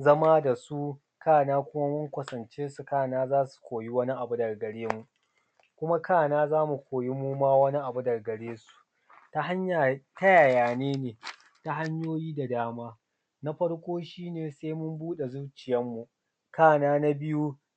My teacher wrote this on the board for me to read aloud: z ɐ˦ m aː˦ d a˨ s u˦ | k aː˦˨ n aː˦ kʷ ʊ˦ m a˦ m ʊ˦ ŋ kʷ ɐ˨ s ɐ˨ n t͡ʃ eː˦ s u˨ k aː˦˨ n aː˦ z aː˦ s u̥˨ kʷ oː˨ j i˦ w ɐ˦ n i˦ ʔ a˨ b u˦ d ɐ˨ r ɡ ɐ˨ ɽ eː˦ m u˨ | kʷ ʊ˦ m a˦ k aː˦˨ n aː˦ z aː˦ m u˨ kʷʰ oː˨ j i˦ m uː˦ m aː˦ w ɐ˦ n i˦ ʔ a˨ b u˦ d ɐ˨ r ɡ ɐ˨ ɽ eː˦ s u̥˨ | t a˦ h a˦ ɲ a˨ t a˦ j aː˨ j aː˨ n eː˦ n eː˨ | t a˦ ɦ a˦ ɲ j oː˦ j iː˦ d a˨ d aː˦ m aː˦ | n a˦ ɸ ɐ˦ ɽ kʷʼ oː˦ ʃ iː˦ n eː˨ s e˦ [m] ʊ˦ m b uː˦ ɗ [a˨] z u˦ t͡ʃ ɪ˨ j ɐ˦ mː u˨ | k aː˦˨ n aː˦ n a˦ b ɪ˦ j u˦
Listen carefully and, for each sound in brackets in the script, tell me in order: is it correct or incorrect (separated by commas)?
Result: correct, incorrect